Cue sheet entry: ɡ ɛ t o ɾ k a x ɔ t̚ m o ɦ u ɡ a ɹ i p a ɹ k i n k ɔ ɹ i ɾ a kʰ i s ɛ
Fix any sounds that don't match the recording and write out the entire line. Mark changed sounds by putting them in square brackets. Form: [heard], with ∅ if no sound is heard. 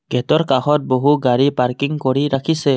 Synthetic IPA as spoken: ɡ ɛ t [ɔ] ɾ k a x ɔ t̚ [b] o ɦ u ɡ a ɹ i p a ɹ k i [ŋ] k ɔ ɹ i ɾ a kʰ i s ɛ